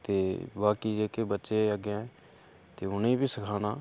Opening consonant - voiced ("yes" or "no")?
no